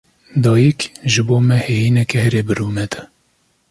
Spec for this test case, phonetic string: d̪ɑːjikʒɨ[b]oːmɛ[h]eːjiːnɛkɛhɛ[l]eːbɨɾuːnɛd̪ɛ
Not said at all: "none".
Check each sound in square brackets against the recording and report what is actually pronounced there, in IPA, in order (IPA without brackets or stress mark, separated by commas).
b, h, ɾ